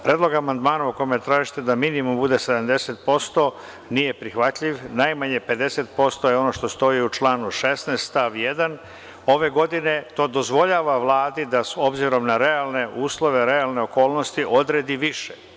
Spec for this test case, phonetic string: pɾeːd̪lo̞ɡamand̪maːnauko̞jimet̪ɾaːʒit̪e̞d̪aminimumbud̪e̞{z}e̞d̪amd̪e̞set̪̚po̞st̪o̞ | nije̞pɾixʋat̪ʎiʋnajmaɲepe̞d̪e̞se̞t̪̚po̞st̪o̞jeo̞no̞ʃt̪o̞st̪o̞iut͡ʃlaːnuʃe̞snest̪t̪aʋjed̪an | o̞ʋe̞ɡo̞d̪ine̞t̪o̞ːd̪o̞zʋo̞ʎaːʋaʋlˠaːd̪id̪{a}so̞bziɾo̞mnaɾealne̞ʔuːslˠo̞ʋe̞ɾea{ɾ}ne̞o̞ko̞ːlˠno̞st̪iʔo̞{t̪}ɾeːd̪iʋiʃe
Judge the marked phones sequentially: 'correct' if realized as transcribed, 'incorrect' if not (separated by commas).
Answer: incorrect, correct, incorrect, incorrect